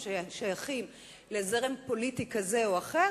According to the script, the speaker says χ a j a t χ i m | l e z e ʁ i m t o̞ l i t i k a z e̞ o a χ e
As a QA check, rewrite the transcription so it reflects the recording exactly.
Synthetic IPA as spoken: ʃ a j a χ i m | l e z e ʁ e m p o̞ l i t i k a z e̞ o a χ e